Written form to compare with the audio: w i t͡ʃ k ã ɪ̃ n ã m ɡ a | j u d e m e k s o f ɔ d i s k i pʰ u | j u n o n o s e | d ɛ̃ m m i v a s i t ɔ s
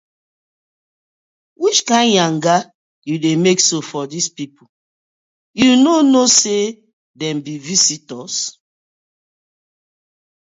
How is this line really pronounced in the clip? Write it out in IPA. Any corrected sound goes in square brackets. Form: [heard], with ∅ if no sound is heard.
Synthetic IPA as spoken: w i t͡ʃ k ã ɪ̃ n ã [ŋ] ɡ a | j u d e m e k s o f ɔ d i s [p] i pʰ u | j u n o n o s e | d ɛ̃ m [b] i v [i] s i t ɔ s